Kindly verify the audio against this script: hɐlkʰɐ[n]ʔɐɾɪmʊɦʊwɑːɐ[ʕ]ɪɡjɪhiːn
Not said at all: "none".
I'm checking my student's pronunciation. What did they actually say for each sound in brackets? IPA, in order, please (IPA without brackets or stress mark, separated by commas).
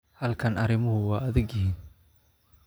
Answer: n, ð